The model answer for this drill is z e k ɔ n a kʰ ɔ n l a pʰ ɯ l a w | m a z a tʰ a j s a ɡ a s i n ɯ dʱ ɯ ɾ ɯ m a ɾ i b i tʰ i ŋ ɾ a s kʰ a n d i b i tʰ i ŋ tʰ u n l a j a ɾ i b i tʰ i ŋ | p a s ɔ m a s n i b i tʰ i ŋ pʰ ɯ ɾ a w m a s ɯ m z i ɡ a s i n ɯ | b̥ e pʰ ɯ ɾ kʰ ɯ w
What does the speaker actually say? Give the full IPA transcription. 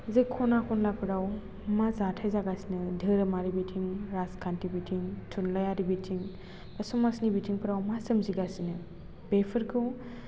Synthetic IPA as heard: z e kʰ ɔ n a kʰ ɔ n l a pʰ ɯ ɾ a w | m a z a tʰ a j z a ɡ a s i n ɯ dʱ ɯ ɾ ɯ m a ɾ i b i tʰ i ŋ ɾ a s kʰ a n t i b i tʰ i ŋ tʰ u n l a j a ɾ i b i tʰ i ŋ | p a s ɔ m a s n i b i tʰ i ŋ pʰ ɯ ɾ a w m a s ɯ m z i ɡ a s i n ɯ | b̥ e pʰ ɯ ɾ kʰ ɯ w